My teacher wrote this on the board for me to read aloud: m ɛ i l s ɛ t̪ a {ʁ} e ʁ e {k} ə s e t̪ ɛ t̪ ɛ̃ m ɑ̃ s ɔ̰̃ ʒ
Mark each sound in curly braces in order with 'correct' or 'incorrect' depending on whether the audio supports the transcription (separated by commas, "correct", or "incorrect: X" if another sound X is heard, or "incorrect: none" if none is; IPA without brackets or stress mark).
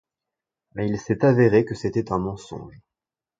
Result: incorrect: v, correct